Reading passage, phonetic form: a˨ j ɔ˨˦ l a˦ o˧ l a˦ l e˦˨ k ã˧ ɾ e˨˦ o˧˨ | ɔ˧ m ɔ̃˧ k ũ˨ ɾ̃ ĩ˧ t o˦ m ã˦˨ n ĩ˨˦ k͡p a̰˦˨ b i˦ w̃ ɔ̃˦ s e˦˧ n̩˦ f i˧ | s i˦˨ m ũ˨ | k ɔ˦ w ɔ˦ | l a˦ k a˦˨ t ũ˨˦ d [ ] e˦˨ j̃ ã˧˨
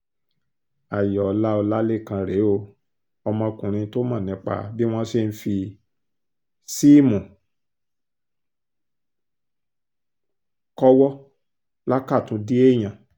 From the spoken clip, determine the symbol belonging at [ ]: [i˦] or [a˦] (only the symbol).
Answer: i˦